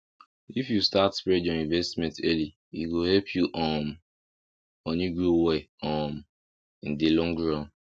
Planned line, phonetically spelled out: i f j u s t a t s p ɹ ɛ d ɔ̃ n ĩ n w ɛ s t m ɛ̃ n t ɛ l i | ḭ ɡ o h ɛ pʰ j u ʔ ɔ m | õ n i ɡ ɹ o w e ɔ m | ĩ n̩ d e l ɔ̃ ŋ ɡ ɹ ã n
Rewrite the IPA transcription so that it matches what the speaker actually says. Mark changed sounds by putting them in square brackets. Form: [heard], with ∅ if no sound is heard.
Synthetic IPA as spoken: i f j u s t a t s p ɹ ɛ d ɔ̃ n ĩ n [v] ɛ s t m ɛ̃ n t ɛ l i | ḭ ɡ o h ɛ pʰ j u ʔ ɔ m | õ n i ɡ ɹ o w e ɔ m | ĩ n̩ d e l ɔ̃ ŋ ɡ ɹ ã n